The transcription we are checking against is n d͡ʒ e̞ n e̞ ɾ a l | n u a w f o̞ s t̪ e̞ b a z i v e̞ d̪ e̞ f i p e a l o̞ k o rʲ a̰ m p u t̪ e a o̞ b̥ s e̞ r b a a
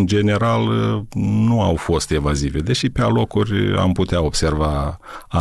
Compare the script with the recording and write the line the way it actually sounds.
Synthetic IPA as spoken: n d͡ʒ e̞ n e̞ ɾ a l | n u a w f o̞ s t̪ e̞ v a z i v e̞ d̪ e̞ ʃ i p e a l o̞ k u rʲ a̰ m p u t̪ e a o̞ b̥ s e̞ r v a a